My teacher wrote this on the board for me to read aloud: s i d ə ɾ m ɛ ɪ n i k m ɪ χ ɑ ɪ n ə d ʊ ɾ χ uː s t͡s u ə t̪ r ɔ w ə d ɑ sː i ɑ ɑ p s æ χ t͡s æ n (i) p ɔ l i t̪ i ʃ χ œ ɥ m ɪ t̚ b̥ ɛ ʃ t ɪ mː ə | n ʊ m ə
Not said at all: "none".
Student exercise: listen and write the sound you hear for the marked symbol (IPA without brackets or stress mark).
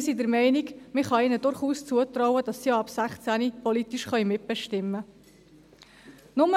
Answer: i